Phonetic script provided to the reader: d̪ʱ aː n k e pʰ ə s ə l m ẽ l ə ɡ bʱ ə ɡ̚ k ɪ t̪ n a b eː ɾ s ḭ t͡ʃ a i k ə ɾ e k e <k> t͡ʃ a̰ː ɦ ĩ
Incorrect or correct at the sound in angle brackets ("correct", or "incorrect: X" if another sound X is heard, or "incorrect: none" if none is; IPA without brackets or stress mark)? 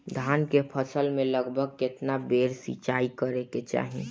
incorrect: none